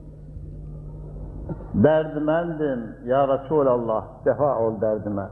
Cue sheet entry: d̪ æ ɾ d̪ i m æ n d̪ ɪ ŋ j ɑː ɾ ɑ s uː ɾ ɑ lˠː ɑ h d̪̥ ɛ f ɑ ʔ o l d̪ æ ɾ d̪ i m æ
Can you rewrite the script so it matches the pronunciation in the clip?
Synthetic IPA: d̪ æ ɾ d̪ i m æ n d̪ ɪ m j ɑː ɾ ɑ s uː l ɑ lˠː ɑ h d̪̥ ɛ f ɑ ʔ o l d̪ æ ɾ d̪ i m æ